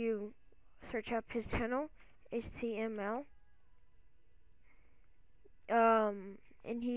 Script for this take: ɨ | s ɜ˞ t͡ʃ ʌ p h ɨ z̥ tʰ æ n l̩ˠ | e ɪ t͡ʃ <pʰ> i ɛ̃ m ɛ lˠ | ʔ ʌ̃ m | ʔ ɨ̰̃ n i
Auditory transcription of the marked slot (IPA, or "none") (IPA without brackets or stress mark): tʰ